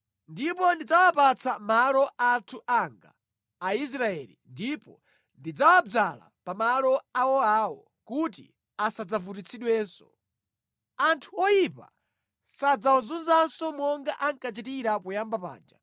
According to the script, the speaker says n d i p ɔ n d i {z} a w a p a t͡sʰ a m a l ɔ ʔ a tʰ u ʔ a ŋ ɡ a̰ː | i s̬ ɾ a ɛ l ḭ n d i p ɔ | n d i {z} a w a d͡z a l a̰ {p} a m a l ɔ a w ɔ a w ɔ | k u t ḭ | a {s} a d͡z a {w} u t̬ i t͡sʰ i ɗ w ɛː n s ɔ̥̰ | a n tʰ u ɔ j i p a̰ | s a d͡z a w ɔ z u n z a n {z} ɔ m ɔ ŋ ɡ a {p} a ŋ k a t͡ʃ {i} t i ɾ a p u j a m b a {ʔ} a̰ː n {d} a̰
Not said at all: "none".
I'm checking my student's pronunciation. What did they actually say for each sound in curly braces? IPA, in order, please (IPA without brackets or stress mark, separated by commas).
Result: d͡z, d͡z, p, s, v, s, ʔ, i, p, d͡ʒ